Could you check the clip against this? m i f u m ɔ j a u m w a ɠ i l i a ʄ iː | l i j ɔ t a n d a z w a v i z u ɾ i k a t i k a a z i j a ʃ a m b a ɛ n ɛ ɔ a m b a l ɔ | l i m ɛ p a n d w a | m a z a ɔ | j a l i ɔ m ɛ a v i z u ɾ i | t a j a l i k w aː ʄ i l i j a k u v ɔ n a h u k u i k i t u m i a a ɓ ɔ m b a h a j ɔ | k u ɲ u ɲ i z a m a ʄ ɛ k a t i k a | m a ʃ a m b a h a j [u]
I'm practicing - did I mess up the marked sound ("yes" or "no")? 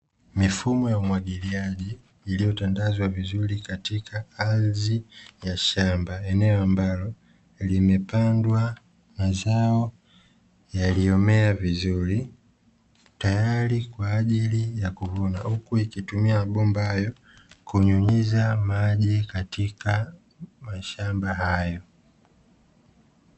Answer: yes